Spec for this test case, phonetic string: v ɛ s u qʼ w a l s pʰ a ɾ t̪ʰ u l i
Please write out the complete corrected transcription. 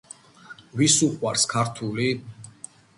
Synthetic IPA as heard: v i s u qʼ w a ɾ s kʰ a ɾ t̪ʰ u l i